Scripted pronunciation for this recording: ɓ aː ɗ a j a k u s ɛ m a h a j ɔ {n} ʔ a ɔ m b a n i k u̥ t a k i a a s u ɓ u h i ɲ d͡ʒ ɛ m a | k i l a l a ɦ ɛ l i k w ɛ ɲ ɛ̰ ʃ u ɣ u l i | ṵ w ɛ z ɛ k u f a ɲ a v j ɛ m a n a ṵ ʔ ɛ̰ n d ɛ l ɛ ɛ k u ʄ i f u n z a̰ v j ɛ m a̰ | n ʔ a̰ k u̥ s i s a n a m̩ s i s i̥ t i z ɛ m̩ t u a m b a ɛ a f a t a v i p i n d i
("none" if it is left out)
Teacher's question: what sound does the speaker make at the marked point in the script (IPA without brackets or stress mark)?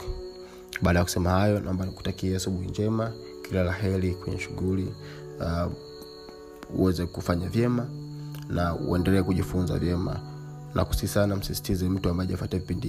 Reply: n